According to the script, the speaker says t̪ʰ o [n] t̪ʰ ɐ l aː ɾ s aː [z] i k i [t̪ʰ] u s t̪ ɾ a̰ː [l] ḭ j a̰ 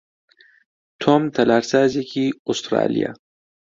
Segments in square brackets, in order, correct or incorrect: incorrect, correct, incorrect, correct

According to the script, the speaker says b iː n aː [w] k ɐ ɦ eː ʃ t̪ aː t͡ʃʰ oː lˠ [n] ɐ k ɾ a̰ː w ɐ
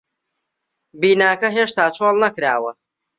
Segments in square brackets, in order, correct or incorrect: incorrect, correct

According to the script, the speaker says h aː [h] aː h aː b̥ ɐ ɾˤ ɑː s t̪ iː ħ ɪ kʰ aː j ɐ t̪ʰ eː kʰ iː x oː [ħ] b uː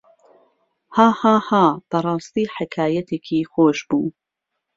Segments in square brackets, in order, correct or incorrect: correct, incorrect

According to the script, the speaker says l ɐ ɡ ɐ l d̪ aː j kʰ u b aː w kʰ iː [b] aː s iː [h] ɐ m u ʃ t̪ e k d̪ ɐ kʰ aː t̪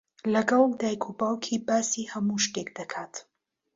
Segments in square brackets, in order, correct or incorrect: correct, correct

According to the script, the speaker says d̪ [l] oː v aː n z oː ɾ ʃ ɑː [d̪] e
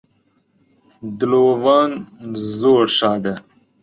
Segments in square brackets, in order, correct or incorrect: correct, correct

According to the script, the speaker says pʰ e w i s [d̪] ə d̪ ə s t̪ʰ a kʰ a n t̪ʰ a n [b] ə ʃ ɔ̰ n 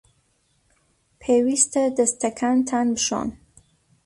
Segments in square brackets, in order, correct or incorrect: incorrect, correct

